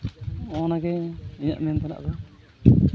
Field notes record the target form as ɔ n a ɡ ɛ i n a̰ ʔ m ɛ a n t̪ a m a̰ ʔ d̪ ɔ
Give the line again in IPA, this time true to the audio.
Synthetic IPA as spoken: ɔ n a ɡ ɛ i ɲ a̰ ʔ m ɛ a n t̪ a n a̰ ʔ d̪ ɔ